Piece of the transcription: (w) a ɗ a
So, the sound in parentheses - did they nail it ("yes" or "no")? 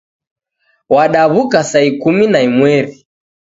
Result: yes